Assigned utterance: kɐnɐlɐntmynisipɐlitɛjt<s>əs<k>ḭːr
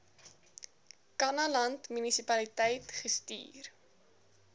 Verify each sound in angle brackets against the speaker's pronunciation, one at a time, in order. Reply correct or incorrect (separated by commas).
incorrect, incorrect